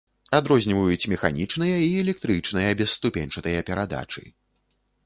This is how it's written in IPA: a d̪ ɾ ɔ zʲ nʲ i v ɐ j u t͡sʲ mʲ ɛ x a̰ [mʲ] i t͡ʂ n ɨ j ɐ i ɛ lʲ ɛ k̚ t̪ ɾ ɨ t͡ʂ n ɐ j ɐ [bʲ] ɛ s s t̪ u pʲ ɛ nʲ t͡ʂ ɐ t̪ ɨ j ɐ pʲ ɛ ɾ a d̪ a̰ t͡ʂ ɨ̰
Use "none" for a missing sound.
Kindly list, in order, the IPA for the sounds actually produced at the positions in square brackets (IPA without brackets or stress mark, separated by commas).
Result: nʲ, bʲ